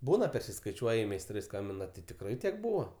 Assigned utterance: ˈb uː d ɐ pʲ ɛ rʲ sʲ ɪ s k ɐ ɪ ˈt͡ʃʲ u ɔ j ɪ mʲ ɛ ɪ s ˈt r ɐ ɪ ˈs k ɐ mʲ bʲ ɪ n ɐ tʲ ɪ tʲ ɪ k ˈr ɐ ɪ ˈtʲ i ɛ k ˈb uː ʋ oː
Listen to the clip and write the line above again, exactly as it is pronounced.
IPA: ˈb uː n ɐ pʲ ɛ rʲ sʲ ɪ s k ɐ ɪ ˈt͡ʃʲ u ɔ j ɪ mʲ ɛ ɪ s ˈt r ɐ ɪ ˈs k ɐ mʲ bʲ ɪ n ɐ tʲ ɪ tʲ ɪ k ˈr ɐ ɪ ˈtʲ i ɛ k ˈb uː ʋ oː